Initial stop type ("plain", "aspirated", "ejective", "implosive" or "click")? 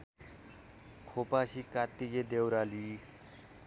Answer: aspirated